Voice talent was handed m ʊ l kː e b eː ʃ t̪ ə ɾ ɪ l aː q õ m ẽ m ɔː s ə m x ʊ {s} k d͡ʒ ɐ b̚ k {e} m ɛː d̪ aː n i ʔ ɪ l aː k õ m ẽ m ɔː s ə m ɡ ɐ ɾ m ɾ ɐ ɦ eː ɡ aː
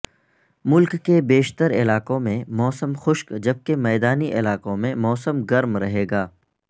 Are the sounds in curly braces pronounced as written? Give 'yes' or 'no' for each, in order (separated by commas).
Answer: no, yes